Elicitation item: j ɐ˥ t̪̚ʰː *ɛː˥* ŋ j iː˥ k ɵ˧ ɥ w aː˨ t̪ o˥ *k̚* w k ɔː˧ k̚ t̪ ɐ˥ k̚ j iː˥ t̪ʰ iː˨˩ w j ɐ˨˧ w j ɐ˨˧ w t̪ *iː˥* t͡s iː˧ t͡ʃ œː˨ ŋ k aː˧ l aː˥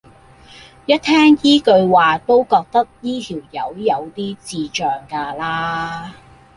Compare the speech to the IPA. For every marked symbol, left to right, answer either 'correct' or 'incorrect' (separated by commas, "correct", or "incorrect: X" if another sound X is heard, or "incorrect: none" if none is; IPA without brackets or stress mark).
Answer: correct, incorrect: none, correct